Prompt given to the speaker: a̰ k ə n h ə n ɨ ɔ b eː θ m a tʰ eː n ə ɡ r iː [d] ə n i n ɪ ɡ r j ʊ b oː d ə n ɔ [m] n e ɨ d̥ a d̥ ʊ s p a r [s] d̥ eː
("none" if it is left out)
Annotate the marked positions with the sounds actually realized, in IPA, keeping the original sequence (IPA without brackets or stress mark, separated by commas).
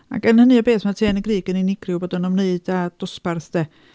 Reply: ɡ, m, θ